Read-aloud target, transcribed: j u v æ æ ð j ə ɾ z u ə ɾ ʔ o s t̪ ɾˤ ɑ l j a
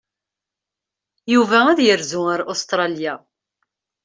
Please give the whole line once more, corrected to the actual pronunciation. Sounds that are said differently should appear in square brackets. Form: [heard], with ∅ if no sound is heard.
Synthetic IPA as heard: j u v æ æ ð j ə ɾ z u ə ɾ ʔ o s t̪ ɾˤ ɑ l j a